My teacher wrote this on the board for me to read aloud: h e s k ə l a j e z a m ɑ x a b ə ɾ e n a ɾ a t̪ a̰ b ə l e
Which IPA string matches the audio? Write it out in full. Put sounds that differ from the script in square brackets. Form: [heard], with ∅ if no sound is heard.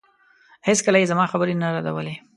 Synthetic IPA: h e s k ə l a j e z a m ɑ x a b ə ɾ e n a ɾ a [d̪] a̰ [w] ə l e

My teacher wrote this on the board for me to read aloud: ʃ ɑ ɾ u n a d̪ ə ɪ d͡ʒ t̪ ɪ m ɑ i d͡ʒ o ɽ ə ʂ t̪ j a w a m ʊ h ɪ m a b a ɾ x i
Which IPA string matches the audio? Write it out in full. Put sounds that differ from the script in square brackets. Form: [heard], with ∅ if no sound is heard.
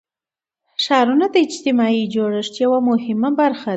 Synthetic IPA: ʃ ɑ ɾ u n a d̪ ə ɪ d͡ʒ t̪ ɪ m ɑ i d͡ʒ o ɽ ə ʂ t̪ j a w a m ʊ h ɪ m a b a ɾ x [a]

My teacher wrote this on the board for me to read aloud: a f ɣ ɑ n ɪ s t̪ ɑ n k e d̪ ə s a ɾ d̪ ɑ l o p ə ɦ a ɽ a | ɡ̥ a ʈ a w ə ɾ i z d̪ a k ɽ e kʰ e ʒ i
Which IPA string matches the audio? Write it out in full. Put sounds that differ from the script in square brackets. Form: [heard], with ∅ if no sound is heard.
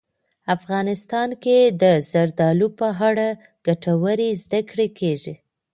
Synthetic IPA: a f ɣ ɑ n ɪ s t̪ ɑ n k e d̪ ə [z] a ɾ d̪ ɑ l [u] p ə ɦ a ɽ a | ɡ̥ a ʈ a w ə ɾ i z d̪ a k ɽ e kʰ e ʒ i

